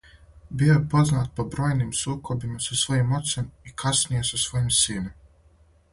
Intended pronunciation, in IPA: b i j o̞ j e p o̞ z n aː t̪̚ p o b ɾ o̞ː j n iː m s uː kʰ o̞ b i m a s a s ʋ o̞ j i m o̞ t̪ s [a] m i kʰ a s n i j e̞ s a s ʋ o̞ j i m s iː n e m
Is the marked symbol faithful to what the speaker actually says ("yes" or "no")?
no